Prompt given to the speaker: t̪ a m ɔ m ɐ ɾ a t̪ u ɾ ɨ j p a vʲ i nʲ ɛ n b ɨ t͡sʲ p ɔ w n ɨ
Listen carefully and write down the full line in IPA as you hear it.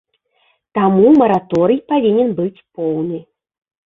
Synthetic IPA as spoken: t̪ a m u m ɐ ɾ a t̪ ɔ ɾ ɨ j p a vʲ i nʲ ɛ n b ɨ t͡sʲ p ɔ w n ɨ